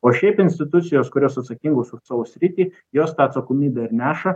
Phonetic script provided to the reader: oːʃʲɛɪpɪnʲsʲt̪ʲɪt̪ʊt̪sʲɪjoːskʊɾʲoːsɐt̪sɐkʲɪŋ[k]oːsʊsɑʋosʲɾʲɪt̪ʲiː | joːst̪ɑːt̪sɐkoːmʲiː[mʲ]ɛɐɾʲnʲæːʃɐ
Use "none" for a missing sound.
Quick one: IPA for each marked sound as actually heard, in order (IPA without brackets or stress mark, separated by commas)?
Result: ɡ, bʲ